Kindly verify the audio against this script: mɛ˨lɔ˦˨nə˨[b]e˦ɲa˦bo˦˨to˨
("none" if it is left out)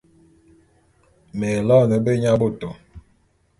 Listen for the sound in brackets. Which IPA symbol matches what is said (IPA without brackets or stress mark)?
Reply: b